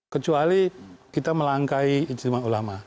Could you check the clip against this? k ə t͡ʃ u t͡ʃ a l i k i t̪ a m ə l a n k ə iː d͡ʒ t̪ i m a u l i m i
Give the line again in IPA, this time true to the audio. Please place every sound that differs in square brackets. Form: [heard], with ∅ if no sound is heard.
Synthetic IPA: k ə t͡ʃ u [∅] a l i k i t̪ a m ə l a [ŋ] k [a] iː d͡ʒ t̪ i m a u l [a] m [a]